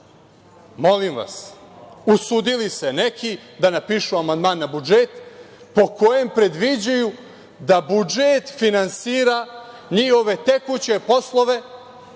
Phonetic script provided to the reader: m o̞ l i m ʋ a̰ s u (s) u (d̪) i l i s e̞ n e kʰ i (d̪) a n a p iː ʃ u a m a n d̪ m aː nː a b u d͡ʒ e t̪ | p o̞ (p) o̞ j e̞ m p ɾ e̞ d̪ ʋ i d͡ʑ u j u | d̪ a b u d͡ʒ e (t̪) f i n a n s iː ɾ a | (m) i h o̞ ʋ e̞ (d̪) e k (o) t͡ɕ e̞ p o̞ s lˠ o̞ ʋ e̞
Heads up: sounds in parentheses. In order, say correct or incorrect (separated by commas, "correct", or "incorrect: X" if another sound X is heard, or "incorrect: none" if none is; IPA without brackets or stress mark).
correct, correct, correct, incorrect: k, correct, incorrect: ɲ, incorrect: t̪, incorrect: u